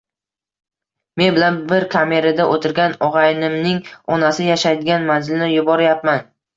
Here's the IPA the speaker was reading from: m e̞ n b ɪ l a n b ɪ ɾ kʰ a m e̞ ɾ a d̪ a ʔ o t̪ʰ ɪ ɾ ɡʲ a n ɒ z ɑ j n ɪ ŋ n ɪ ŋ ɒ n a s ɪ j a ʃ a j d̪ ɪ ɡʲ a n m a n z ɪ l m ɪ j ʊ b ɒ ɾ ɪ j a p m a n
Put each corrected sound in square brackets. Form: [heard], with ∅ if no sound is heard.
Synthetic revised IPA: m e̞ n b ɪ l a n b ɪ ɾ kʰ a m e̞ ɾ a d̪ a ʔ o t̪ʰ ɪ ɾ ɡʲ a n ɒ [ʁ] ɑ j n ɪ [m] n ɪ ŋ ɒ n a s ɪ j a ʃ a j d̪ ɪ ɡʲ a n m a n z ɪ l [n] ɪ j ʊ b ɒ ɾ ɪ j a p m a n